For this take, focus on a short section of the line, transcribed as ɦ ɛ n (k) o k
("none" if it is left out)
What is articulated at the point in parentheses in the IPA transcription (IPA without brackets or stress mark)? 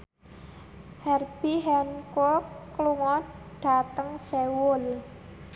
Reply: k